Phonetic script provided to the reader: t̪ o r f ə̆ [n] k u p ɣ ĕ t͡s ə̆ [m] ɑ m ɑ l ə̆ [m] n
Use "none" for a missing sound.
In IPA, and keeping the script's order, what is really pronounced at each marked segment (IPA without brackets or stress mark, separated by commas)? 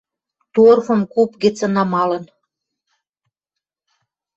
m, n, none